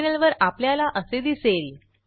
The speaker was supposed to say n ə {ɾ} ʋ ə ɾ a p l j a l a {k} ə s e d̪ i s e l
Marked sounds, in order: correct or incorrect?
incorrect: l, incorrect: ʔ

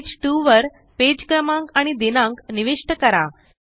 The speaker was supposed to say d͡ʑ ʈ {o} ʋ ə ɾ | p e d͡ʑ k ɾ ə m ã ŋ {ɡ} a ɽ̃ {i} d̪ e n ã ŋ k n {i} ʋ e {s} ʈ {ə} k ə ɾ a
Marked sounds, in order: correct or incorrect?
incorrect: u, incorrect: k, correct, correct, incorrect: ʂ, correct

